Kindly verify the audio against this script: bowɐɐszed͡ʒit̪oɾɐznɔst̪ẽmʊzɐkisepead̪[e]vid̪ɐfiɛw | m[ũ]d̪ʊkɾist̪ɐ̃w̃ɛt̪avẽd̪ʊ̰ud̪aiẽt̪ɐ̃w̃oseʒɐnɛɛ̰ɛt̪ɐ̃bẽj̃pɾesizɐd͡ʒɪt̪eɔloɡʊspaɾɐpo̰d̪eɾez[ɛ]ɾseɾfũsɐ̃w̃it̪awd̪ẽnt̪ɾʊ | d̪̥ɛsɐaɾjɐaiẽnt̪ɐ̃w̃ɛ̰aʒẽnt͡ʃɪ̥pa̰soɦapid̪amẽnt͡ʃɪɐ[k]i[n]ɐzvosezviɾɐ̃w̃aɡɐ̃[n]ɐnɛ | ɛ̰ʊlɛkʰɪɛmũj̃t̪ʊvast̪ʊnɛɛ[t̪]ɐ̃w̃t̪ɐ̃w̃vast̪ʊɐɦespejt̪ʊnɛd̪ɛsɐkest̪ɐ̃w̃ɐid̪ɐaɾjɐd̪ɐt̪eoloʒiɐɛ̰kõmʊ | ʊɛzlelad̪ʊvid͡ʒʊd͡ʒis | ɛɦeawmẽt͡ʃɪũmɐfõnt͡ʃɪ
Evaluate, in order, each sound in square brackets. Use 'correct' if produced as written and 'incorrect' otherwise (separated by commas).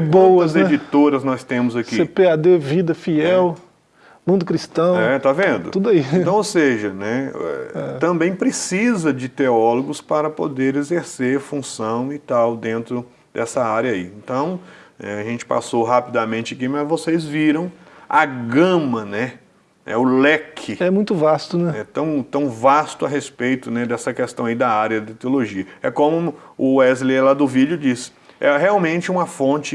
correct, correct, incorrect, correct, incorrect, incorrect, correct